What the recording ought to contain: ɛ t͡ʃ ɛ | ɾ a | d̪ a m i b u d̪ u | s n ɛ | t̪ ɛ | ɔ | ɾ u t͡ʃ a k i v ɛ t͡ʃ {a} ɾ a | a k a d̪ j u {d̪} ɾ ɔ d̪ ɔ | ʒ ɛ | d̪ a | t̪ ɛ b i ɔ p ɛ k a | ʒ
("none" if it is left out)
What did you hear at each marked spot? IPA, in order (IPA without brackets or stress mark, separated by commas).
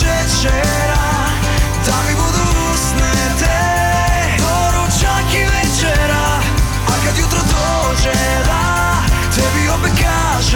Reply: ɛ, t̪